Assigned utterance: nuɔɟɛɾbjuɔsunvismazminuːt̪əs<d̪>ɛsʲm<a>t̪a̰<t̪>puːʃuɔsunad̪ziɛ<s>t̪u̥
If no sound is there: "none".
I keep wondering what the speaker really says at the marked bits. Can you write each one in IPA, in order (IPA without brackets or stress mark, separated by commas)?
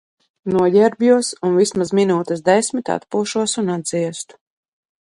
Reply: d̪, i, t̪, s